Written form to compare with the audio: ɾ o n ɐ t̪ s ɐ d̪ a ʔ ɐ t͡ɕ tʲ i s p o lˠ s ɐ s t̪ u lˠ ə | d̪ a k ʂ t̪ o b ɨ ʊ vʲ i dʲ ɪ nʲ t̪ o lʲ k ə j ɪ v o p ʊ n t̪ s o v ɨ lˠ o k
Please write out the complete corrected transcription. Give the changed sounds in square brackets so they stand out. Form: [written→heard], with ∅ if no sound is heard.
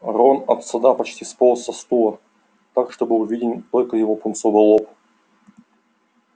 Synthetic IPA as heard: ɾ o n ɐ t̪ s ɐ d̪ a [ʔ→p] ɐ t͡ɕ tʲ i s p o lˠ s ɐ s t̪ u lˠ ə | [d̪→t̪] a k ʂ t̪ o b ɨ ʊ vʲ i dʲ ɪ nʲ t̪ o lʲ k ə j ɪ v o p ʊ n t̪ s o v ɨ lˠ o [k→p]